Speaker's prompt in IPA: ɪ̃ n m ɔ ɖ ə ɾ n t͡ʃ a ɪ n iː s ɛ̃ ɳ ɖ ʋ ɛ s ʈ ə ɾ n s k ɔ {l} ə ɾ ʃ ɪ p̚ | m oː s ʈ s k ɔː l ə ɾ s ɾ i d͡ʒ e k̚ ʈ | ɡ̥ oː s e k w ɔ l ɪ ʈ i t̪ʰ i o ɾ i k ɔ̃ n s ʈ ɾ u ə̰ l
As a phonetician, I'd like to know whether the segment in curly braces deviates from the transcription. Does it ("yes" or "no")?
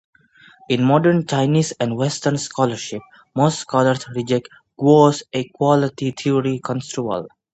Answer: no